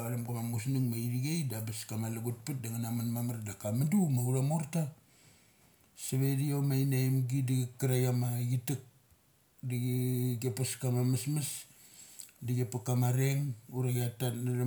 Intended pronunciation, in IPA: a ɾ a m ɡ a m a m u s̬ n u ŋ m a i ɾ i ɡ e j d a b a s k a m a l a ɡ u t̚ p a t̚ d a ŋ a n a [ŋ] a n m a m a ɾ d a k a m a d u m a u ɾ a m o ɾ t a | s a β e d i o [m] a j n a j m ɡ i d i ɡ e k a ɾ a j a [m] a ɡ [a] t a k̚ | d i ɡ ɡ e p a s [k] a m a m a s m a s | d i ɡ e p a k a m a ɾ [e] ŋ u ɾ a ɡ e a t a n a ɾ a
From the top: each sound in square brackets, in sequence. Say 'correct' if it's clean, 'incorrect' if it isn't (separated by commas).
incorrect, correct, correct, incorrect, correct, correct